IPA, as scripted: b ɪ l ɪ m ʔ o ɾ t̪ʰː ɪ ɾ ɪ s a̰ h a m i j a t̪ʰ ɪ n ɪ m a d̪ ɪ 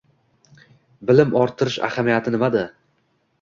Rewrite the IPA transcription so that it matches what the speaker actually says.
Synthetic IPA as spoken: b ɪ l ɪ m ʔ ɒ ɾ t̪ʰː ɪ ɾ ɪ ʃ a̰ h a m i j a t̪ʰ ɪ n ɪ m a d̪ ɪ